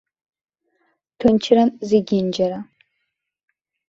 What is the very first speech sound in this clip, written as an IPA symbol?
tʰ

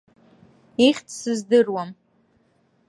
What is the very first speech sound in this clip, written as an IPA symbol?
i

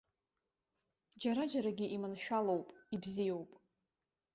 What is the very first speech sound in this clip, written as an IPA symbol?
d͡ʒ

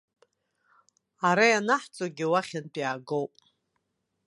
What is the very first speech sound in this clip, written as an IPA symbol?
a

